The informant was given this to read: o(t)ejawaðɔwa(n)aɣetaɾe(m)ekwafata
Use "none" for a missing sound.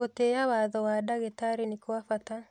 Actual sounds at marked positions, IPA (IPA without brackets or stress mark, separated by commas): t, d, n